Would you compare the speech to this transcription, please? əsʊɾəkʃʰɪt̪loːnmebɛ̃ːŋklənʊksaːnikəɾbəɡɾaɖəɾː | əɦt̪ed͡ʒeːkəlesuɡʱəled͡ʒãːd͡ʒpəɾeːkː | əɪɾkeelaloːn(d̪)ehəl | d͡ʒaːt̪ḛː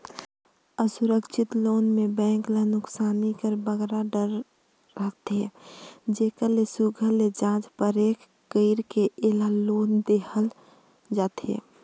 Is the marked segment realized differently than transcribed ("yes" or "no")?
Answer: no